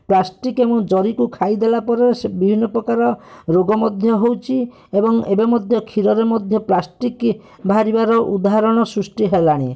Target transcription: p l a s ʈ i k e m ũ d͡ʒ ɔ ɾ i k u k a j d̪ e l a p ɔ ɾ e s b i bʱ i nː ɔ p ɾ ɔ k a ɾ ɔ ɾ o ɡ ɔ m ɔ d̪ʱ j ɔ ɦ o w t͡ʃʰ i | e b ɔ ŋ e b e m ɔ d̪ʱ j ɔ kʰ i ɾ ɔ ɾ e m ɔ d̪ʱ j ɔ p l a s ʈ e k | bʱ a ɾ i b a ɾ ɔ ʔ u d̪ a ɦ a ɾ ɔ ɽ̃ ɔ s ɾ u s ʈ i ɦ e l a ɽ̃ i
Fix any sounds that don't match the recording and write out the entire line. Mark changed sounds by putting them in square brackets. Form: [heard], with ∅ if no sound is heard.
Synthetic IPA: p l a s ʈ i k e m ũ d͡ʒ ɔ ɾ i k u [kʰ] a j d̪ e l a p ɔ ɾ e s b i bʱ i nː ɔ p ɾ ɔ k a ɾ ɔ ɾ o ɡ ɔ m ɔ d̪ʱ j ɔ ɦ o w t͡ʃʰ i | e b ɔ ŋ e b e m ɔ d̪ʱ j ɔ kʰ i ɾ ɔ ɾ e m ɔ d̪ʱ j ɔ p l a s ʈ [i] k | bʱ a ɾ i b a ɾ ɔ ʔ u d̪ a ɦ a ɾ ɔ ɽ̃ ɔ s ɾ u s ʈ i ɦ e l a ɽ̃ i